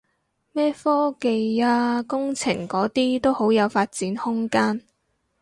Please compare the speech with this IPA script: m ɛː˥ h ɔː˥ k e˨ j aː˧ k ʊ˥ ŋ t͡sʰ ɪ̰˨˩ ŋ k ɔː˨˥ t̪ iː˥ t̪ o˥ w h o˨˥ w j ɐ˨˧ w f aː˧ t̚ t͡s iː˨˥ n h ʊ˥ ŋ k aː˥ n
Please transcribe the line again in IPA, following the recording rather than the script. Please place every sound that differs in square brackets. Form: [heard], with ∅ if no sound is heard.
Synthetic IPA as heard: m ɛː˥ [f] ɔː˥ k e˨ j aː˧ k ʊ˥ ŋ t͡sʰ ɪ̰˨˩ ŋ k ɔː˨˥ t̪ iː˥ t̪ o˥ w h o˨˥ w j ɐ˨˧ w f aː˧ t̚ t͡s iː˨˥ n h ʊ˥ ŋ k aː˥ n